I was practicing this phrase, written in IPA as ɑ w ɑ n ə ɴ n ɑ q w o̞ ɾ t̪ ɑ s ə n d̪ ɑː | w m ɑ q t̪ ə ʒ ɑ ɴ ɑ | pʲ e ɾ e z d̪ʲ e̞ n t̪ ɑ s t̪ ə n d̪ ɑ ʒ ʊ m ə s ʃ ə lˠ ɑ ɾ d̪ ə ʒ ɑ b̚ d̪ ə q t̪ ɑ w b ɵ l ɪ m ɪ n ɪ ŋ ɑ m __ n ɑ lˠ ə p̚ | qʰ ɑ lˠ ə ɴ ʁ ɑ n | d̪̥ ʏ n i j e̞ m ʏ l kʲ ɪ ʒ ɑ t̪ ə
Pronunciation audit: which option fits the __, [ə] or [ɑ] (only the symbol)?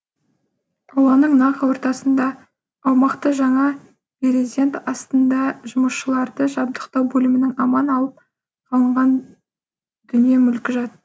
ɑ